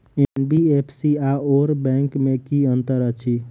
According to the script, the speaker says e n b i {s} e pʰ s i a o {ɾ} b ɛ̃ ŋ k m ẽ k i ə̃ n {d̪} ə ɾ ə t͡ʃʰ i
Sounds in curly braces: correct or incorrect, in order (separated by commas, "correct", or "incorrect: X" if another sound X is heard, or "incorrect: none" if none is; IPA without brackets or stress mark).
incorrect: none, correct, incorrect: t̪